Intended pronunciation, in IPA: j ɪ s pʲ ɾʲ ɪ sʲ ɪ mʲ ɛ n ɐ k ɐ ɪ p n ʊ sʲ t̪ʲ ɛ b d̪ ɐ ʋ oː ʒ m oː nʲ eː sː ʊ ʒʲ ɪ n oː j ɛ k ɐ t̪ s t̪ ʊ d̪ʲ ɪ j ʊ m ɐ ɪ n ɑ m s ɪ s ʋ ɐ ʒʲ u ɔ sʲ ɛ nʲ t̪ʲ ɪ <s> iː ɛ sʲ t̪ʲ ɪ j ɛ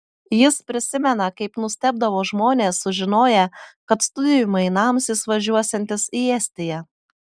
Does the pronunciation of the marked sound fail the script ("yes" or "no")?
no